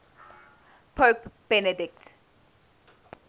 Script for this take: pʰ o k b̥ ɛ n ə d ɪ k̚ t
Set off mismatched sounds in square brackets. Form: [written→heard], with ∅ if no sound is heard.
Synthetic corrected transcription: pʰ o [k→p] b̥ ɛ n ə d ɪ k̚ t

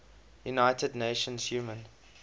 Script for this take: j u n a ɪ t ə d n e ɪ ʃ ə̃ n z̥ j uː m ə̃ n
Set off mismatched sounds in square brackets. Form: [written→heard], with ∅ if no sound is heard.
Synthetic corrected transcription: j u n a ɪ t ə d n e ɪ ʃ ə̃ n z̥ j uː m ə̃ n

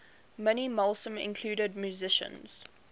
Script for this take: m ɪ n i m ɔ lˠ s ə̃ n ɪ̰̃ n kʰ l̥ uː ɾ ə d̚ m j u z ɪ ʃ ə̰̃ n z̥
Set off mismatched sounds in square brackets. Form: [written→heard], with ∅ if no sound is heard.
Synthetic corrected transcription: m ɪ n i m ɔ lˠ s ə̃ [n→m] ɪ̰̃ n kʰ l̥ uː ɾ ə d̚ m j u z ɪ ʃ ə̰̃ n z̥

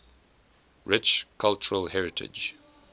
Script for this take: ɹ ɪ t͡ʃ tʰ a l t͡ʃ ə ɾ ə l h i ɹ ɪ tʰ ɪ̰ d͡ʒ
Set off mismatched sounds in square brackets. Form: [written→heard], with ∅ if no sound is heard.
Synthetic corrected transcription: ɹ ɪ t͡ʃ [tʰ→kʰ] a l t͡ʃ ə [ɾ→ɹ] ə l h [i→ɛ] ɹ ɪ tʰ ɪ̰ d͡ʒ

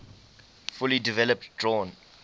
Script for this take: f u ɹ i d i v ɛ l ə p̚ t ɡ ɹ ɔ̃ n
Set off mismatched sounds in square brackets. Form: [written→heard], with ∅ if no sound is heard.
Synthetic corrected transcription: f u [ɹ→l] i d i v ɛ l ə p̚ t [ɡ→d] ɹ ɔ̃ n

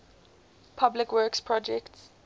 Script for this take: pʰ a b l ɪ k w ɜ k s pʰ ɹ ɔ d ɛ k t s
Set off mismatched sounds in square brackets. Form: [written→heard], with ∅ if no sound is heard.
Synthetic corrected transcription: pʰ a b l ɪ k w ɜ k s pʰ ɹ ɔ [d→d͡ʒ] ɛ k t s

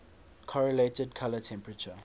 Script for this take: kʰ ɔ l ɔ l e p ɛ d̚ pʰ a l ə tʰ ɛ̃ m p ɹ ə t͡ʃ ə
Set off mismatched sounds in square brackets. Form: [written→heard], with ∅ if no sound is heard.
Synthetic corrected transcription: kʰ ɔ [l→ɹ] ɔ l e [p→t] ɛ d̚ [pʰ→kʰ] a l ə tʰ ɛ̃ m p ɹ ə t͡ʃ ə

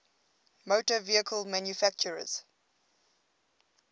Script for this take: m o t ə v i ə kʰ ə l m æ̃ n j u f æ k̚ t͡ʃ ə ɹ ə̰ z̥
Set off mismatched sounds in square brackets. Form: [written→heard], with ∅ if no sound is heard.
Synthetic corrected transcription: m o t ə v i ə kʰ ə l m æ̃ n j u f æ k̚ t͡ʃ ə ɹ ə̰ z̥

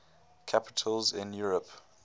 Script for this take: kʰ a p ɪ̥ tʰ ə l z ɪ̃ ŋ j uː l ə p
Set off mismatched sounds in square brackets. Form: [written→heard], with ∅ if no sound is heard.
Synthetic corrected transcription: kʰ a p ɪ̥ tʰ ə l z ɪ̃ [ŋ→n] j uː [l→ɹ] ə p

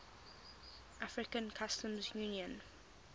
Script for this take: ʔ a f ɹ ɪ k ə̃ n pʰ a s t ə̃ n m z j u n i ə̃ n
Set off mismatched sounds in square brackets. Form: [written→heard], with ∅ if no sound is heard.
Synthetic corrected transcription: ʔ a f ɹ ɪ k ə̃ n [pʰ→kʰ] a s t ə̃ [n→∅] m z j u n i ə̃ n

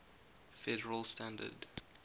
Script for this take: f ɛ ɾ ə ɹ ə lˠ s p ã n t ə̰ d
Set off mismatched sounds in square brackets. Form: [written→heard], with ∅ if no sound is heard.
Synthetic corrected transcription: f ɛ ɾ ə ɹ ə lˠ s [p→t] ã n [t→d] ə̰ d

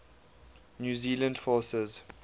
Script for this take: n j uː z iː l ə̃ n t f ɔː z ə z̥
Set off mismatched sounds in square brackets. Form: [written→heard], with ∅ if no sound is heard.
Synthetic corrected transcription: n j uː z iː l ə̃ n [t→d] f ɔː [z→s] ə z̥

